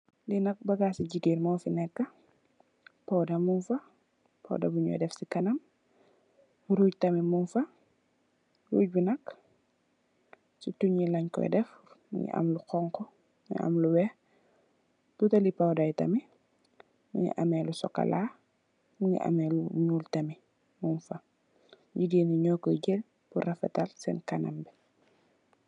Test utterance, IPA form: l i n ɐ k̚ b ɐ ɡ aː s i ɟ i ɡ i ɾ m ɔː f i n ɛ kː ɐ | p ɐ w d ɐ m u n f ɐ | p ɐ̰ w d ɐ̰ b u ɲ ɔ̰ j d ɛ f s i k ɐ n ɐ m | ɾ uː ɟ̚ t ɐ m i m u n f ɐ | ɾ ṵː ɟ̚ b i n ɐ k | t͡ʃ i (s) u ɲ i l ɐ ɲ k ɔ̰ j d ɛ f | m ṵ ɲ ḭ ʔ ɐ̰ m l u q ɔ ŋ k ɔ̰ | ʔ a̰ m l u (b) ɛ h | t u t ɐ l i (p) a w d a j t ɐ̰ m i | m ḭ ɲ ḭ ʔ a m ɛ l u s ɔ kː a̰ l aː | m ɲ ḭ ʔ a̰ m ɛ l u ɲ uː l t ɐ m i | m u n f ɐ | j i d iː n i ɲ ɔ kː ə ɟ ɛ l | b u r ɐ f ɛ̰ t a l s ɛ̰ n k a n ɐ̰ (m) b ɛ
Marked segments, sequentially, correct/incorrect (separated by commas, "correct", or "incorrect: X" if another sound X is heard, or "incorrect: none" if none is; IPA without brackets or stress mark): incorrect: t, incorrect: w, correct, correct